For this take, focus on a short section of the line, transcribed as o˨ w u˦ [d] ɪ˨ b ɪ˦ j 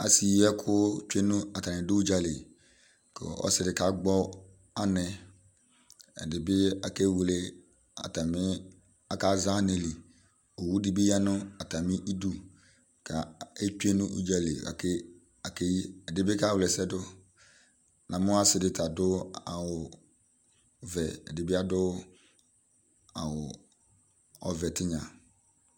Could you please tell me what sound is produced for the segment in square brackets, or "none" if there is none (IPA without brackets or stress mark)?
d